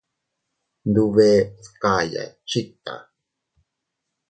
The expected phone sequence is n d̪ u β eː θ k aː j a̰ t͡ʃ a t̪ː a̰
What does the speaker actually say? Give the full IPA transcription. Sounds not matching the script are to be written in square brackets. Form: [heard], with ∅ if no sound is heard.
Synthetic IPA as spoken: n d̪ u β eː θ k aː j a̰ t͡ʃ [i] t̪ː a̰